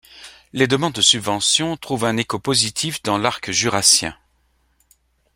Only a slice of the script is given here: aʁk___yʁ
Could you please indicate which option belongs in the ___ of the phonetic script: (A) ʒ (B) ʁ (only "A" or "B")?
A